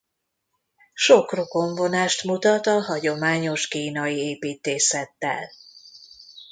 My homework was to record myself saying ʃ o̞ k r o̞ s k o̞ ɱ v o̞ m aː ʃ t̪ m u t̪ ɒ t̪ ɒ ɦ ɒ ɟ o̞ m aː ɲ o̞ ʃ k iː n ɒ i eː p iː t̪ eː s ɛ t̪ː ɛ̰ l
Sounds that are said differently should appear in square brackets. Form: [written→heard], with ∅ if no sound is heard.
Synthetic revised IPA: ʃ o̞ k r o̞ [s→∅] k o̞ ɱ v o̞ [m→n] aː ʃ t̪ m u t̪ ɒ t̪ ɒ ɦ ɒ ɟ o̞ m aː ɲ o̞ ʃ k iː n ɒ i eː p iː t̪ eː s ɛ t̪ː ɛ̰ l